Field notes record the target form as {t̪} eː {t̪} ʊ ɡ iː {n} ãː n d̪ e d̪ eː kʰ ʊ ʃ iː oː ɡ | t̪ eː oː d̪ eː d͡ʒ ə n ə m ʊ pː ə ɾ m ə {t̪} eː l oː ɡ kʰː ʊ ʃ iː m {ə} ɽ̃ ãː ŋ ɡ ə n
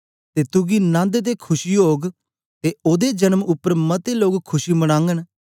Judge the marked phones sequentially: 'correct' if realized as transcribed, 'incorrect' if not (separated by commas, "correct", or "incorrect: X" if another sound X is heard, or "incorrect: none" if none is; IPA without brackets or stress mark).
correct, correct, correct, correct, correct